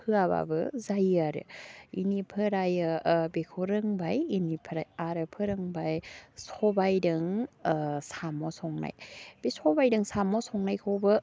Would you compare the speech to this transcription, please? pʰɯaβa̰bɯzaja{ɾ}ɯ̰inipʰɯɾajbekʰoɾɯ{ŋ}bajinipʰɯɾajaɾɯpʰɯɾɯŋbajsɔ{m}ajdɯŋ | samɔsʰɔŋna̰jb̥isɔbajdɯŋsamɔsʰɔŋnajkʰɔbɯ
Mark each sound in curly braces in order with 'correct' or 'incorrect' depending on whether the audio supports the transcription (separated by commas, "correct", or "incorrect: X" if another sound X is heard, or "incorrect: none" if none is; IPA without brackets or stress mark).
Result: correct, correct, incorrect: b